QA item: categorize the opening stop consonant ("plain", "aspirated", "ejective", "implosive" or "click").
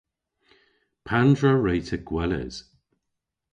aspirated